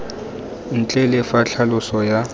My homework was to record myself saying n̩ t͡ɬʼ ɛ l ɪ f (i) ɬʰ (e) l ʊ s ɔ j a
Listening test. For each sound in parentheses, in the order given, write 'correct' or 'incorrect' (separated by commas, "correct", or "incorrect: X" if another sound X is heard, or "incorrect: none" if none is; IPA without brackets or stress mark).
incorrect: a, incorrect: a